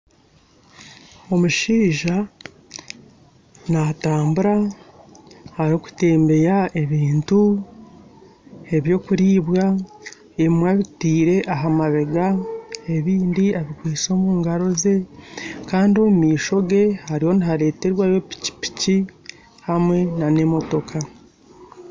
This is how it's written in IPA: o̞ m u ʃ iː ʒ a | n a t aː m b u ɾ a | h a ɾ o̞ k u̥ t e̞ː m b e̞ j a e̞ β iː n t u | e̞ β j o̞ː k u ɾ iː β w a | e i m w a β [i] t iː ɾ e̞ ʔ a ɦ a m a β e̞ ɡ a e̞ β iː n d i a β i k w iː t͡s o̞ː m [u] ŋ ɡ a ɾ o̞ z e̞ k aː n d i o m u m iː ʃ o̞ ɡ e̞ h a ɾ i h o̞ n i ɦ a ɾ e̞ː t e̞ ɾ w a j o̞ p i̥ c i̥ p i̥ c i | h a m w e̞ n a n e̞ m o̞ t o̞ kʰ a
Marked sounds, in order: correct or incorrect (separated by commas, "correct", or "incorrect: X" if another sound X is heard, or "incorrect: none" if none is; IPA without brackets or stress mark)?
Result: correct, incorrect: uː